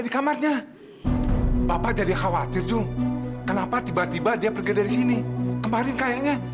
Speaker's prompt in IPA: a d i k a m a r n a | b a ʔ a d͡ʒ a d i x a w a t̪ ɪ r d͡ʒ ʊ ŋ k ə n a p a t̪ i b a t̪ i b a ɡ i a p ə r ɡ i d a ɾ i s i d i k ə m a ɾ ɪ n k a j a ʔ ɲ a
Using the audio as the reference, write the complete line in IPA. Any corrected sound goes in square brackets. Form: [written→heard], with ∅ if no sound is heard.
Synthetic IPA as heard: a d i k a m a r [n→ɲ] a | b a [ʔ→p] a d͡ʒ a d i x a w a t̪ ɪ r d͡ʒ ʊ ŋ k ə n a p a t̪ i b a t̪ i b a [ɡ→d] i a p ə r ɡ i d a ɾ i s i [d→n] i k ə m a ɾ ɪ n k a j a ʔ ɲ a